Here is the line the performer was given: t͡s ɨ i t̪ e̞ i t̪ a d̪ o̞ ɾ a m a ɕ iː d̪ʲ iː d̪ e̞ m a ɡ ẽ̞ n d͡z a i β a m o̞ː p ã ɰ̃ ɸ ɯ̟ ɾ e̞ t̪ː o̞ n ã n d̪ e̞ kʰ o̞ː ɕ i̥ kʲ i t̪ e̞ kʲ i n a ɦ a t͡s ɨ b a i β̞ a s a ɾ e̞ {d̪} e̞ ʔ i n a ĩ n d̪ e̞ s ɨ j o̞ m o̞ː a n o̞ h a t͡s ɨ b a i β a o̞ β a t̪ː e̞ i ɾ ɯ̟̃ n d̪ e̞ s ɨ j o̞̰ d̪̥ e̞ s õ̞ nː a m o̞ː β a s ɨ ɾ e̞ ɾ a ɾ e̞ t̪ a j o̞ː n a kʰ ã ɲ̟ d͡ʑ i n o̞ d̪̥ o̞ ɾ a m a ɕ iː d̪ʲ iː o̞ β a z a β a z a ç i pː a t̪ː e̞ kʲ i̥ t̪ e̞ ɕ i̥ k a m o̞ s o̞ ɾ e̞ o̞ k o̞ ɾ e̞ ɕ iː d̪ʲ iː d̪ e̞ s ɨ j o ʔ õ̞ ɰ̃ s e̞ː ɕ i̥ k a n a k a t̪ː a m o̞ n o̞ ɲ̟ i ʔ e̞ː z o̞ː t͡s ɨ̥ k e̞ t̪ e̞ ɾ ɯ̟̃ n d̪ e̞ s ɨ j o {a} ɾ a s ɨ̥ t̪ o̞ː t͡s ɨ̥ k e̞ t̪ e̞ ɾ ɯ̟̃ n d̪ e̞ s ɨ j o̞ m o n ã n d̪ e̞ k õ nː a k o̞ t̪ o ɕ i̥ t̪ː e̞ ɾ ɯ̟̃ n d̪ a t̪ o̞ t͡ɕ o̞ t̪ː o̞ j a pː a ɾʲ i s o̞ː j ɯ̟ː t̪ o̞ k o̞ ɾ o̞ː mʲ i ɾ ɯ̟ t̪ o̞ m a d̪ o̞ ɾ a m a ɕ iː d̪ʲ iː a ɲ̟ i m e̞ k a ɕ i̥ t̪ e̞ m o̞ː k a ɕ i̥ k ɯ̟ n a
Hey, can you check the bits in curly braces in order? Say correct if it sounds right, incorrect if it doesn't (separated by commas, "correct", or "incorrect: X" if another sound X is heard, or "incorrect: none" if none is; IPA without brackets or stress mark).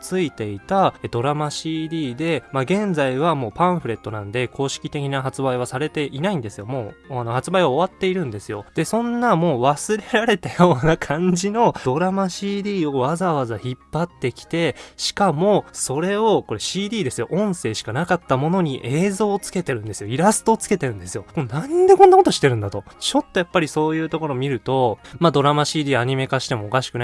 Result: incorrect: t̪, incorrect: i